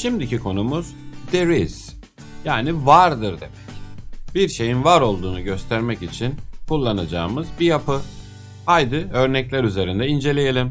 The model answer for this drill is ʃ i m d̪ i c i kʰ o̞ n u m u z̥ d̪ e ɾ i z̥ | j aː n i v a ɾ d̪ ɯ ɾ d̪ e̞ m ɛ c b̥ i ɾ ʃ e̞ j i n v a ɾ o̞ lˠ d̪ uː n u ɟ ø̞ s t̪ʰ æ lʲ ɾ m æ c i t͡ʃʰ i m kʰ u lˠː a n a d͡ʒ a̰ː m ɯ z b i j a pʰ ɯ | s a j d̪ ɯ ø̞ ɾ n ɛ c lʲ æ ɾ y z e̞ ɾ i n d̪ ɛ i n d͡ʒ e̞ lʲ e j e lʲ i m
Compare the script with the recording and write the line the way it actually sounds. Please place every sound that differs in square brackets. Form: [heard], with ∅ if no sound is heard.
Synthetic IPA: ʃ i m d̪ i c i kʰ o̞ n u m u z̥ d̪ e ɾ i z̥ | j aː n i v a ɾ d̪ ɯ ɾ d̪ e̞ m ɛ c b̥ i ɾ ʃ e̞ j i n v a ɾ o̞ lˠ d̪ uː n u ɟ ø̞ s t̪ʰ æ [∅] ɾ m [ɛ] c i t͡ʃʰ i [n] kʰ u lˠː a n a d͡ʒ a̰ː m ɯ z b i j a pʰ ɯ | [h] a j d̪ ɯ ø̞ ɾ n ɛ c lʲ æ ɾ y z e̞ ɾ i n d̪ ɛ i n d͡ʒ e̞ lʲ e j e lʲ i m